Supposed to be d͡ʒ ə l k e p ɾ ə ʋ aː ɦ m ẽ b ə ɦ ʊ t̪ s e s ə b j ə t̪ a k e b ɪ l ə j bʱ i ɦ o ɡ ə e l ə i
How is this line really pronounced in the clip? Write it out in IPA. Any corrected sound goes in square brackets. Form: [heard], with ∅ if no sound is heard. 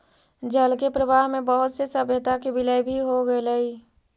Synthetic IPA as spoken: d͡ʒ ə l k e p ɾ ə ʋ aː ɦ m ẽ b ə ɦ ʊ t̪ s e s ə b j ə t̪ a k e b ɪ l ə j bʱ i ɦ o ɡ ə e l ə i